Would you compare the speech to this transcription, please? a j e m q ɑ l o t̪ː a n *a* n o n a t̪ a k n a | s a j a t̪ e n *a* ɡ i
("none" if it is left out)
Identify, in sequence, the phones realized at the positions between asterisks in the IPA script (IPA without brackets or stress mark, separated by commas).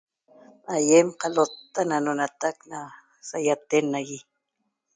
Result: a, a